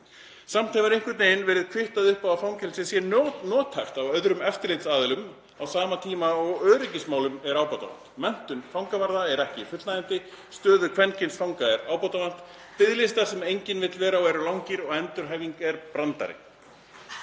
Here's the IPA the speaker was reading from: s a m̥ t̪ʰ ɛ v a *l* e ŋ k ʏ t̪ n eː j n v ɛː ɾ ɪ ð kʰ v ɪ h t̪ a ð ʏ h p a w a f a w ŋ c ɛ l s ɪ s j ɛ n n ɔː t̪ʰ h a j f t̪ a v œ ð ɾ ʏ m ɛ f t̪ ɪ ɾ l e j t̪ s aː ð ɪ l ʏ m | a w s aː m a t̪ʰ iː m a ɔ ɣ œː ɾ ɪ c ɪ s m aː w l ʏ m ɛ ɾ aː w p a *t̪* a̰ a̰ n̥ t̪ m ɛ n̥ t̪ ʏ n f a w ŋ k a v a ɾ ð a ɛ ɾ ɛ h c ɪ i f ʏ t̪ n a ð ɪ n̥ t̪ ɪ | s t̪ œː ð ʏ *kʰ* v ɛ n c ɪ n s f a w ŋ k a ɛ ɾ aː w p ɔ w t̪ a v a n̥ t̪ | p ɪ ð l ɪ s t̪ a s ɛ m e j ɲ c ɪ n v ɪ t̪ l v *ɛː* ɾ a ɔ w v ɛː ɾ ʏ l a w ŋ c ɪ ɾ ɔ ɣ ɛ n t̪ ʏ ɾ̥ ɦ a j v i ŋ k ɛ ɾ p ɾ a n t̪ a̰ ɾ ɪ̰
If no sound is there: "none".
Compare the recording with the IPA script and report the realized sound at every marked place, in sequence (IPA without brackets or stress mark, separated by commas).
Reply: ɾ, t̪, kʰ, ɛː